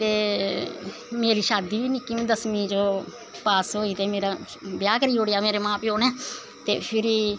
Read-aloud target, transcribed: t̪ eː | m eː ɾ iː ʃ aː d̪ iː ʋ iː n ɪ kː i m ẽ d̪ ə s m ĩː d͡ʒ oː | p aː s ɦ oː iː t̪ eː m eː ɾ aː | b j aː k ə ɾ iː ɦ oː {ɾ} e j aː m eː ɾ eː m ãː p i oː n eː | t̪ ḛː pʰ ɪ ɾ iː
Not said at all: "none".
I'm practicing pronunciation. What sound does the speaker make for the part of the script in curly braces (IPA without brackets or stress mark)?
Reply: ɽ